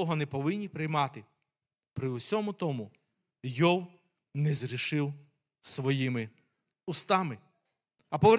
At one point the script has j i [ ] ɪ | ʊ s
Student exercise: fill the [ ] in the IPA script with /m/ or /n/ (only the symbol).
m